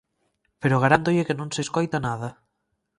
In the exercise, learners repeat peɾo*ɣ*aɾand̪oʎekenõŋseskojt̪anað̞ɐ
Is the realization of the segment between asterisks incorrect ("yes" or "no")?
no